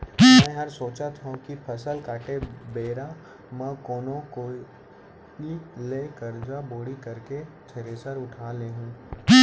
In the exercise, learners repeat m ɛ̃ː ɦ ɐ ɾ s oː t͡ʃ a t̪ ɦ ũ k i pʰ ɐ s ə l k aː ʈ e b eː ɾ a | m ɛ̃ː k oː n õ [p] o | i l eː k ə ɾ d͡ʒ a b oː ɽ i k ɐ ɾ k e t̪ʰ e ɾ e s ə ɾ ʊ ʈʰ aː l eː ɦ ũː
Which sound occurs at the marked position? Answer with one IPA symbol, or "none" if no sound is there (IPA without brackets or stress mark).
k